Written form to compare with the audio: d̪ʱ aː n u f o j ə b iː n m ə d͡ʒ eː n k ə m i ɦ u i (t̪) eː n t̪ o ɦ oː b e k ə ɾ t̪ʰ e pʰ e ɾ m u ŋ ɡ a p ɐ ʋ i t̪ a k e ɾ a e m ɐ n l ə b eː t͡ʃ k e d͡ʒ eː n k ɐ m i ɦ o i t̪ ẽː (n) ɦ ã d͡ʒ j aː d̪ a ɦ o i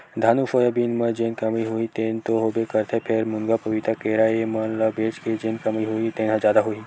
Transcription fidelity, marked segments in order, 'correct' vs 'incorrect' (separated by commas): correct, correct